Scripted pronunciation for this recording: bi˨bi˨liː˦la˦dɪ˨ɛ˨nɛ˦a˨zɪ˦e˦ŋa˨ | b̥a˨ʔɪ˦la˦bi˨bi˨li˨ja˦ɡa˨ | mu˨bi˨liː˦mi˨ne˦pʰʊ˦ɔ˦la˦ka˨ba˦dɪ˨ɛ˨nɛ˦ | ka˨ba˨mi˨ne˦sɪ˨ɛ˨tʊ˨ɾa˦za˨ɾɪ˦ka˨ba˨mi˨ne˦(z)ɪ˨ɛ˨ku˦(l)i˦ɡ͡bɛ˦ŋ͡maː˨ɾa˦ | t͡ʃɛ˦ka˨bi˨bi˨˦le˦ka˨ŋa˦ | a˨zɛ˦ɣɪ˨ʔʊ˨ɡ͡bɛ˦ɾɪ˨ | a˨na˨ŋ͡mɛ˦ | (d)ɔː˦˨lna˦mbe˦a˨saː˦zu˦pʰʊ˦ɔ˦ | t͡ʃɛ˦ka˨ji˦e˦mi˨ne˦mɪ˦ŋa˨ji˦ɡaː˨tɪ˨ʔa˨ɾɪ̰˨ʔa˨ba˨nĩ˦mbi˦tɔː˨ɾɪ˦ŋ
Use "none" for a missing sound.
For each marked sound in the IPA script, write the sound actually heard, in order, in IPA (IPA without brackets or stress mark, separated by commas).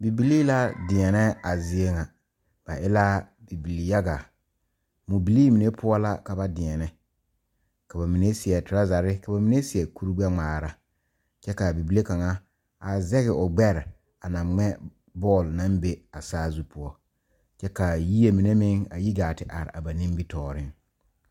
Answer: s, ɾ, b